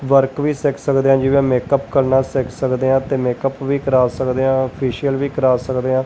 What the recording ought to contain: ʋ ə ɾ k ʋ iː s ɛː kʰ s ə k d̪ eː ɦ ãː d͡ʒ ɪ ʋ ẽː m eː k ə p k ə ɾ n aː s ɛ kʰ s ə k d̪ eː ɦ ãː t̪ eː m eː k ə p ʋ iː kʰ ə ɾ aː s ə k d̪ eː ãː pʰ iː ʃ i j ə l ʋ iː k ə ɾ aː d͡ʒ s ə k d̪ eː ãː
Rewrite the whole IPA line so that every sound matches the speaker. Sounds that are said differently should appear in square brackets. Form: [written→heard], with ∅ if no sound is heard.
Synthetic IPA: ʋ ə ɾ k ʋ iː s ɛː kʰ s ə k d̪ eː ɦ ãː d͡ʒ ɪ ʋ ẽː m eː k ə p k ə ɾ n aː s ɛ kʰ s ə k d̪ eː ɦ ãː t̪ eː m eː k ə p ʋ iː [kʰ→k] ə ɾ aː s ə k d̪ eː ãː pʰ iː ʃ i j ə l ʋ iː k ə ɾ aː [d͡ʒ→∅] s ə k d̪ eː ãː